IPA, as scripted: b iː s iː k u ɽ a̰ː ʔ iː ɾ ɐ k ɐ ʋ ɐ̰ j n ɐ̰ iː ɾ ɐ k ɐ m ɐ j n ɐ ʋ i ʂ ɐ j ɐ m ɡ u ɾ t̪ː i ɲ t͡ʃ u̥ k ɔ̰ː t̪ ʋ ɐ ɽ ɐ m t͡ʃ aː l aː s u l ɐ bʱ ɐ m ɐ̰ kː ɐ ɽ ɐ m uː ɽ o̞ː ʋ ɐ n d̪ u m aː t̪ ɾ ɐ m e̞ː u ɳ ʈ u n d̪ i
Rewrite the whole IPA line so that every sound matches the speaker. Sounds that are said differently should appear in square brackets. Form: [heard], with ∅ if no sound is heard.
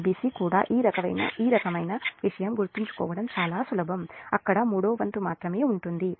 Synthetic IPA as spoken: b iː s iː k [uː] ɽ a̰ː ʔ iː ɾ ɐ k ɐ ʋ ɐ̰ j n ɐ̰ iː ɾ ɐ k ɐ m ɐ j n ɐ ʋ i ʂ ɐ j ɐ m ɡ u ɾ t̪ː i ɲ t͡ʃ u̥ k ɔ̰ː [∅] ʋ ɐ ɽ ɐ m t͡ʃ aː l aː s u l ɐ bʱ ɐ m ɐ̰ kː ɐ ɽ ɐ m uː ɽ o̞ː ʋ ɐ n [t̪] u m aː t̪ ɾ ɐ m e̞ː u ɳ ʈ u n d̪ i